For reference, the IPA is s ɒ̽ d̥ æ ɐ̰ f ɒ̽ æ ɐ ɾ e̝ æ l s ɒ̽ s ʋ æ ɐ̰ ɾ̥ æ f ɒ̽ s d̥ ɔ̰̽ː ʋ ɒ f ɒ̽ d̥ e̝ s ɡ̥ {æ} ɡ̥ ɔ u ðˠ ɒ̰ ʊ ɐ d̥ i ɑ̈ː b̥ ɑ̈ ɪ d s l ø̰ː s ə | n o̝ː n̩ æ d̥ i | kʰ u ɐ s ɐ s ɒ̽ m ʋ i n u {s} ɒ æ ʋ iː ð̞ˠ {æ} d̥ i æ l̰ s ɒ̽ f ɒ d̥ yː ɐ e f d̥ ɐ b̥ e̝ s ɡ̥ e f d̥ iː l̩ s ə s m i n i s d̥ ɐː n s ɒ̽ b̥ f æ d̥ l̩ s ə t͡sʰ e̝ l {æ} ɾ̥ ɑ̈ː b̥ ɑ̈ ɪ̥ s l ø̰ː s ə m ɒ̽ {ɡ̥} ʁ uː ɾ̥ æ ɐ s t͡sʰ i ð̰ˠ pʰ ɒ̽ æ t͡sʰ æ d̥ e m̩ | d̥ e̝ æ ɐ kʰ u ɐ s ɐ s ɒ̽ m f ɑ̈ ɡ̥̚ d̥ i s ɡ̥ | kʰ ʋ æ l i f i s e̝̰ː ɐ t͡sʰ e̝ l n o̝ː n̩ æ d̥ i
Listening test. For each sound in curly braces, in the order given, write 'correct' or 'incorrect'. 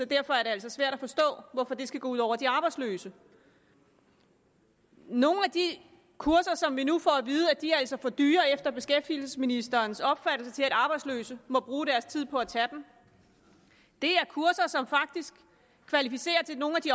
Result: correct, incorrect: f, correct, correct, incorrect: b̥

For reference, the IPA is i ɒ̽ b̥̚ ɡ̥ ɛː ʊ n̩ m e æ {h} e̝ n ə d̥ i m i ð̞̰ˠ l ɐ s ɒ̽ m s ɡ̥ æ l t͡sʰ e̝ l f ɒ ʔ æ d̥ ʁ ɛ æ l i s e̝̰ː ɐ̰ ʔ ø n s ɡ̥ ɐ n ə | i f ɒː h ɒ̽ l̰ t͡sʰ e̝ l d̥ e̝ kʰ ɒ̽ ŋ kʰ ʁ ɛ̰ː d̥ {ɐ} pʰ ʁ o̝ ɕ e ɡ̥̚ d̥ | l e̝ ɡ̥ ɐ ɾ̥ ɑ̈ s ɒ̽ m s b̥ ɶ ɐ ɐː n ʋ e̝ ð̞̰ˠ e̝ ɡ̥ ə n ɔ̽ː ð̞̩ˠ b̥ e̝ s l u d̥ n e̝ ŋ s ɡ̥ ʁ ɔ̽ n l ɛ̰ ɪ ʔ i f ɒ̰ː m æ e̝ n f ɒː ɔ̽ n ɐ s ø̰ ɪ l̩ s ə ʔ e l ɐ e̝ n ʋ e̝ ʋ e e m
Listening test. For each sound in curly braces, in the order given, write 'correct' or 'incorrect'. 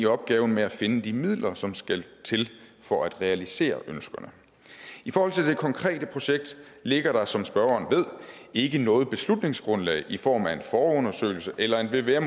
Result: incorrect: f, incorrect: ə

